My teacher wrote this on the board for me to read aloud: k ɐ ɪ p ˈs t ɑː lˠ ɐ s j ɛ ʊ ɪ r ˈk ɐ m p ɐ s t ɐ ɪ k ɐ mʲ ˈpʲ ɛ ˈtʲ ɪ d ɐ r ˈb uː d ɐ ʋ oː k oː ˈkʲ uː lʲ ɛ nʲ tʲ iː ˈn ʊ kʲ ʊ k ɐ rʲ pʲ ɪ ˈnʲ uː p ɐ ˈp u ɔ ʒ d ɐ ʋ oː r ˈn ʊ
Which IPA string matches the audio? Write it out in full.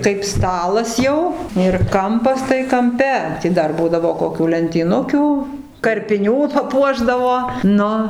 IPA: k ɐ ɪ p ˈs t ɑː lˠ ɐ s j ɛ ʊ ɪ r ˈk ɐ m p ɐ s t ɐ ɪ k ɐ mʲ ˈpʲ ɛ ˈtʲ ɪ d ɐ r ˈb uː d ɐ ʋ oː k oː ˈkʲ uː lʲ ɛ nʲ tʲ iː ˈn ʊ kʲ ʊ k ɐ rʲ pʲ ɪ ˈnʲ uː p ɐ ˈp u ɔ ʒ d ɐ ʋ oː ˈn ʊ